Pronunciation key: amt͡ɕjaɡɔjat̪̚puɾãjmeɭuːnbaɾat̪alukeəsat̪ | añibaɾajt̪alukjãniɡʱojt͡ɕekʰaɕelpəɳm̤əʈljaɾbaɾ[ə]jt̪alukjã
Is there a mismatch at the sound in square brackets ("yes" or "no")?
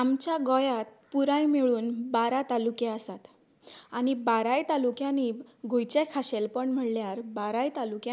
yes